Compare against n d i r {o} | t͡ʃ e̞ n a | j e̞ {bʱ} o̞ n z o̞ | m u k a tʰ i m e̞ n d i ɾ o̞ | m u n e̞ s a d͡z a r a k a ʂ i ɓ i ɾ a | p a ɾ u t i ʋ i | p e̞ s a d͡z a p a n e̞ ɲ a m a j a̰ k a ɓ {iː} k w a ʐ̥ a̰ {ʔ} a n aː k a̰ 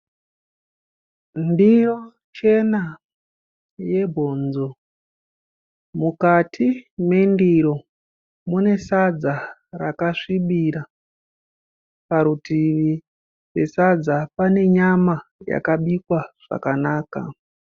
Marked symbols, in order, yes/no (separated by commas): yes, yes, no, no